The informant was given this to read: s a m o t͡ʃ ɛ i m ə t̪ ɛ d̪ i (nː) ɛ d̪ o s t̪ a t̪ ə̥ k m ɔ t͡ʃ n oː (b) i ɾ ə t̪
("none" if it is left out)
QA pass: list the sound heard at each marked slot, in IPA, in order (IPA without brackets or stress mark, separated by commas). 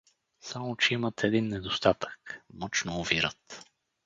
nː, v